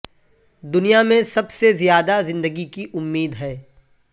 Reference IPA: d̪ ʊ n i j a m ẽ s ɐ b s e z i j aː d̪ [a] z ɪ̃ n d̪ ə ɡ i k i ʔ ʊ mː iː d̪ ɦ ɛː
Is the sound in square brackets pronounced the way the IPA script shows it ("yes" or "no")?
yes